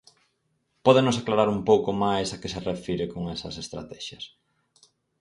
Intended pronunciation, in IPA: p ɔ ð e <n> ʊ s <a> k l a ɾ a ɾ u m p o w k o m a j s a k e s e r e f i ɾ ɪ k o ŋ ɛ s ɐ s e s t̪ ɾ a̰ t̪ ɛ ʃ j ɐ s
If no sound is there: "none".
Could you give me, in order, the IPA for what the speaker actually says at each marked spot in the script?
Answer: n, a

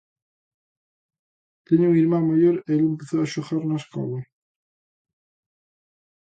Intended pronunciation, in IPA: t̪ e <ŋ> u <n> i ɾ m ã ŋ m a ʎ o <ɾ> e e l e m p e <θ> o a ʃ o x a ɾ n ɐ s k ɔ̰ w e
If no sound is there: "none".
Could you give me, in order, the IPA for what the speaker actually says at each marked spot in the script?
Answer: ɲ, ŋ, ɾ, θ

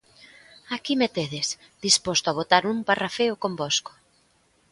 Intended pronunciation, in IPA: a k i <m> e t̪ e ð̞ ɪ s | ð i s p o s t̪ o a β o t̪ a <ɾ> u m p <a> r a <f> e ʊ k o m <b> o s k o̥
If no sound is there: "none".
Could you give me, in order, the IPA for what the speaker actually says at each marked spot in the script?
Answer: m, ɾ, a, f, b

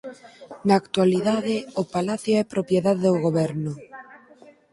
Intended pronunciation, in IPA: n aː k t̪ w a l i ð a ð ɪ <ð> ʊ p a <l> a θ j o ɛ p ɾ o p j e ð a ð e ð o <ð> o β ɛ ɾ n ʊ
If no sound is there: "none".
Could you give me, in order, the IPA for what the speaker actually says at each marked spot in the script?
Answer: none, l, ɣ

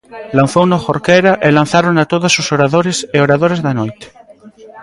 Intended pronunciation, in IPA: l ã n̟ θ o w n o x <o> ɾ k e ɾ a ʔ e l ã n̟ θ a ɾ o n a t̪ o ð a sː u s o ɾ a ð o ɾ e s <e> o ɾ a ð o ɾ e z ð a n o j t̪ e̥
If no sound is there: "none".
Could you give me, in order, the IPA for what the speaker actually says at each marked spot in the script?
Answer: o, e

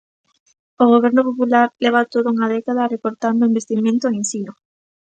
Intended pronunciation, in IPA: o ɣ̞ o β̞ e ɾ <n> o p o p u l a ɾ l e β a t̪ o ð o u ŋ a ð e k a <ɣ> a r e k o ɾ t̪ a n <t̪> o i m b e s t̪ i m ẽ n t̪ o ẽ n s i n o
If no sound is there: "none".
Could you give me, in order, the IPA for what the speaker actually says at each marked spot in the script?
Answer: n, ð, d̪

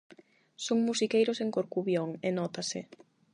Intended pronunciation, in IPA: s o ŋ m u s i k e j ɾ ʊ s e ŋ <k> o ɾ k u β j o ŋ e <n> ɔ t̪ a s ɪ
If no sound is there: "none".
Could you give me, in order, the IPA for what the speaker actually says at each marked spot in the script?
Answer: k, n

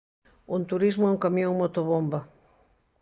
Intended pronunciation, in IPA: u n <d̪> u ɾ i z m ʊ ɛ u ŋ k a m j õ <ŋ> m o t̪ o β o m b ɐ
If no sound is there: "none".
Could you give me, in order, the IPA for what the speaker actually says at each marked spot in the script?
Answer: t̪, ŋ

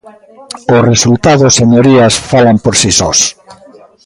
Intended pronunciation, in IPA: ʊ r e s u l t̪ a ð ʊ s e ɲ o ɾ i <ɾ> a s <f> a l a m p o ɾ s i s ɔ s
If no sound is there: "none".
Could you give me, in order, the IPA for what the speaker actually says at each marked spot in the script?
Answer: none, f

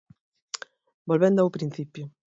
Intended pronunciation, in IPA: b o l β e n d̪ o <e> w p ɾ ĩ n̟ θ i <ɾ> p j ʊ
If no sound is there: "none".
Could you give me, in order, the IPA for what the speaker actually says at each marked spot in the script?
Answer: a, none

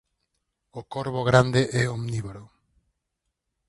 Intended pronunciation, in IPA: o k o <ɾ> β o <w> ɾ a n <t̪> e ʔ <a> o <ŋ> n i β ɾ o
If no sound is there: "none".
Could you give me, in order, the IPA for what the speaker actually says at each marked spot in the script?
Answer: ɾ, ɣ, d̪, ɛ, m

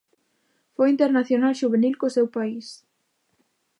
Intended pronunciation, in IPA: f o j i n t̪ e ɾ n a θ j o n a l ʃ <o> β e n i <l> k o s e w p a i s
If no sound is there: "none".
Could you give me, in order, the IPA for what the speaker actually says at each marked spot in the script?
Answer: u, l

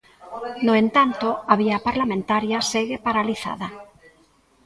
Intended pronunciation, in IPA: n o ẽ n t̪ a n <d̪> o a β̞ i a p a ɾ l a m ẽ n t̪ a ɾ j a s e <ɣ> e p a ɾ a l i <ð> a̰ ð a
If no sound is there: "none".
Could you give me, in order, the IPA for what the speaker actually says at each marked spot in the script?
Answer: t̪, ɣ, θ

